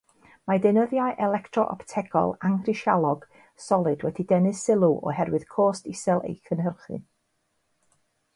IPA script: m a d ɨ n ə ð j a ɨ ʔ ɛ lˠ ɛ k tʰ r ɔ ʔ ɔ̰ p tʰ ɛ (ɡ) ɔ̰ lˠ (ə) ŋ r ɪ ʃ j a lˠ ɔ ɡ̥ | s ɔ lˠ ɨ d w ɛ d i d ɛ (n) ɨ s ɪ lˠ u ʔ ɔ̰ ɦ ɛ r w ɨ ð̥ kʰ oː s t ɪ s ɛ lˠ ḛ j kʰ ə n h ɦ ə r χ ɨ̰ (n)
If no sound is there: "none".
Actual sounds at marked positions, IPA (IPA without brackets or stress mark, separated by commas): ɡ, a, n, n